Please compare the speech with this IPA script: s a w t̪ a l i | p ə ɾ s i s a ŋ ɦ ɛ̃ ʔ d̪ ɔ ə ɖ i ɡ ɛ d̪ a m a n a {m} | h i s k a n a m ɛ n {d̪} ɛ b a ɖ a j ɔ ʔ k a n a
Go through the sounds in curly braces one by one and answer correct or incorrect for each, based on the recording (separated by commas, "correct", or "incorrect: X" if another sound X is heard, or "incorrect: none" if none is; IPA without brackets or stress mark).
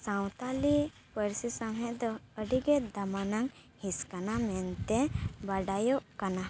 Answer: incorrect: ŋ, incorrect: t̪